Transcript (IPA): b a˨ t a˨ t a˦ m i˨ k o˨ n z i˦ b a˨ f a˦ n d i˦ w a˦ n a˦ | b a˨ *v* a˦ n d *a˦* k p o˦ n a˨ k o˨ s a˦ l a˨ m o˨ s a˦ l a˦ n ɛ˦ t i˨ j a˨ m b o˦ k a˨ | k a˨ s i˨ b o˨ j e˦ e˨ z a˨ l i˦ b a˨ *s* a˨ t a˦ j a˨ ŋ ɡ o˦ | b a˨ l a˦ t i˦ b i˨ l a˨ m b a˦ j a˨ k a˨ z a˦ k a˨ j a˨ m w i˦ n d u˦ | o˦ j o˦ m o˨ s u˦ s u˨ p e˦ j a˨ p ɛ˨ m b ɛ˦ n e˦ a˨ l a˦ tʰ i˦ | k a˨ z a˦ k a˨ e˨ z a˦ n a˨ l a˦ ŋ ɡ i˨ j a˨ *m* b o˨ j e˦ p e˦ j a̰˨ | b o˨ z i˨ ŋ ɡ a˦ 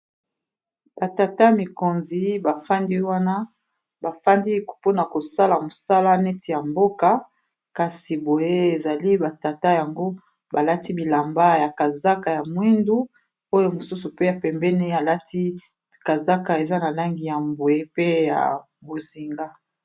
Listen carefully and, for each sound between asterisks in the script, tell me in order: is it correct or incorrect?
incorrect: f, incorrect: i˦, incorrect: t, correct

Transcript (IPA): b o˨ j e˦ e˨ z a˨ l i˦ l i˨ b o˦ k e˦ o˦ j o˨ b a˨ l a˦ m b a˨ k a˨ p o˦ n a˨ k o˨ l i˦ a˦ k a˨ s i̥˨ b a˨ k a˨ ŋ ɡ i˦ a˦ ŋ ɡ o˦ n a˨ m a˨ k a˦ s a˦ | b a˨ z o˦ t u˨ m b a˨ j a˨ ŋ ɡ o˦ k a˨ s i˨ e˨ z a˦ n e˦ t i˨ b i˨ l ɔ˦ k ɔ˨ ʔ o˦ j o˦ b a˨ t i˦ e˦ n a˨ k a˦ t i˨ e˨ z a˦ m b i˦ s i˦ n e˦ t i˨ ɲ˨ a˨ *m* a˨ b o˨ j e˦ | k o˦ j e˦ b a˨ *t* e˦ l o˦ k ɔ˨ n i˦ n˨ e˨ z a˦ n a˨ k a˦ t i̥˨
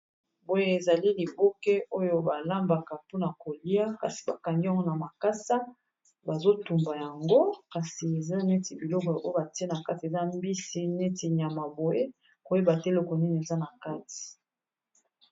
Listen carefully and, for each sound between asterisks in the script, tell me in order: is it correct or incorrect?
correct, correct

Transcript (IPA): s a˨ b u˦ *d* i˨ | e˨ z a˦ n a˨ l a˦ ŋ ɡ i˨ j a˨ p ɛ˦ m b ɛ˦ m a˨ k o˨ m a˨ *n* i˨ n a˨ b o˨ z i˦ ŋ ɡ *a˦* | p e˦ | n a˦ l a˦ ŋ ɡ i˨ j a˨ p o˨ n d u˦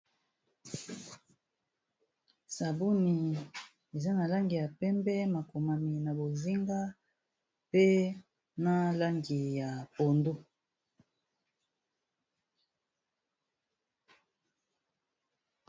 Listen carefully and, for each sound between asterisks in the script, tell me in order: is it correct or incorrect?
incorrect: n, incorrect: m, correct

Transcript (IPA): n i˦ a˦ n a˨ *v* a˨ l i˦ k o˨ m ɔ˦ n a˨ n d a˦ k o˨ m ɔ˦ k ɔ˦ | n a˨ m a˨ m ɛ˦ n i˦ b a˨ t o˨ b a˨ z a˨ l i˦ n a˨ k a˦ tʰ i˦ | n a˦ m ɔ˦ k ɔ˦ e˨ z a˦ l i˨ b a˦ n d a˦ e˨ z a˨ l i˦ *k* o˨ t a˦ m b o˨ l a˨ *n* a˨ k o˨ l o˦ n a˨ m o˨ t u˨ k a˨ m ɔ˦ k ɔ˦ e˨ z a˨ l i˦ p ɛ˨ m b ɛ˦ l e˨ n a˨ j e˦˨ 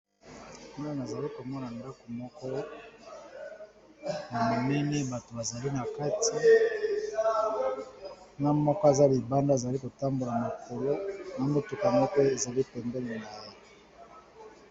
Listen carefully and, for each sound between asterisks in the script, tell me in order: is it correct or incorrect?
incorrect: z, correct, incorrect: m

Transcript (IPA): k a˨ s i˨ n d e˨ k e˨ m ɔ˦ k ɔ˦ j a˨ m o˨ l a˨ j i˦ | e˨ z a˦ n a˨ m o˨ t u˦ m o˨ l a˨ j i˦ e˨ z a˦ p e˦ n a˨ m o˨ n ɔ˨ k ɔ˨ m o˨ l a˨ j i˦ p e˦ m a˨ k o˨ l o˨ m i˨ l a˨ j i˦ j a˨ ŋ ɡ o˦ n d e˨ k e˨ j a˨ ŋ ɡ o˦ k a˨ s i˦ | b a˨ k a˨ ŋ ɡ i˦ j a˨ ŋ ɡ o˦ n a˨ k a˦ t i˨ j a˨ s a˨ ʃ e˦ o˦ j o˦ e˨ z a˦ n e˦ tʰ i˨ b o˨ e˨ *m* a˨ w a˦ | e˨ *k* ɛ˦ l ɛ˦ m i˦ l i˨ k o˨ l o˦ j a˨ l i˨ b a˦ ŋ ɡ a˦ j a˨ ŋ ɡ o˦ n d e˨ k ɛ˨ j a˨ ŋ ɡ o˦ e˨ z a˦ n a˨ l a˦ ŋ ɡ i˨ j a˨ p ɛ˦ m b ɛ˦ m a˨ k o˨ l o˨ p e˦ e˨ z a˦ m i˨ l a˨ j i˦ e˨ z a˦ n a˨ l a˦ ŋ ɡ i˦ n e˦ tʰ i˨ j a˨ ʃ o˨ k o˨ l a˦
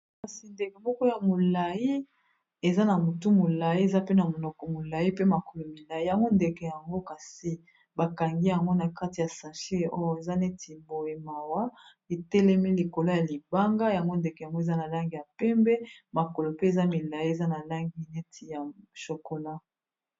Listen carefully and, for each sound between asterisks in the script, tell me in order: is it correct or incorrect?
correct, incorrect: t

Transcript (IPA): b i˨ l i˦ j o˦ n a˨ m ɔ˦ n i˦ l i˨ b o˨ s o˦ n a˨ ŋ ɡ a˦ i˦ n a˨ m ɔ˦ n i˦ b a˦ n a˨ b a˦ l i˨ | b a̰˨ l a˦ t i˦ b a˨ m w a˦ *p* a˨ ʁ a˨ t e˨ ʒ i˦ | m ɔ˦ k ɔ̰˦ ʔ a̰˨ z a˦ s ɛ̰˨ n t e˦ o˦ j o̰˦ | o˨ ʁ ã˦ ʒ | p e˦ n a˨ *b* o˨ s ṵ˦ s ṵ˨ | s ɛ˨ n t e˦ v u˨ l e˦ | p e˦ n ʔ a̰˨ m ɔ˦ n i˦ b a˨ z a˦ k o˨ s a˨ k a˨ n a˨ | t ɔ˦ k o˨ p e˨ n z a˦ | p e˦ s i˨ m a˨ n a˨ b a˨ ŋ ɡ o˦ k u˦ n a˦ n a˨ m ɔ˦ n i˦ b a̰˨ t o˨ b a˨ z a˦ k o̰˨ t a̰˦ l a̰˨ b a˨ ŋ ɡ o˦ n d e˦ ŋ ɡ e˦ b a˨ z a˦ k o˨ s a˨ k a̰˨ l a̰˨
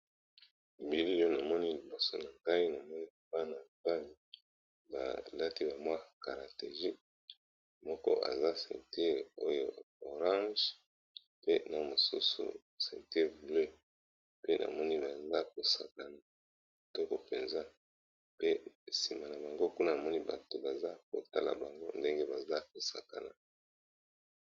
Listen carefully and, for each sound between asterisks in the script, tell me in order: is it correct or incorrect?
incorrect: k, incorrect: m

